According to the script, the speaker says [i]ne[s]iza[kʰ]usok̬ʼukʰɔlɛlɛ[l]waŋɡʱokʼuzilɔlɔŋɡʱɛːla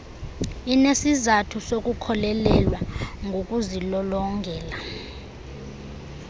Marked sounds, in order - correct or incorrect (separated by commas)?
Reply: correct, correct, incorrect, correct